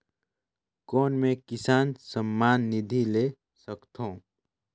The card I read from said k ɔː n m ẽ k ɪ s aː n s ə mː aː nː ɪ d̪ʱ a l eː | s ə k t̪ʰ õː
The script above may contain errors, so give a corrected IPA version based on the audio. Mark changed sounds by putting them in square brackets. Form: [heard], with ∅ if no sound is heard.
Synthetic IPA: k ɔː n m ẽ k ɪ s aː n s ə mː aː nː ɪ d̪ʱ [i] l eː | s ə k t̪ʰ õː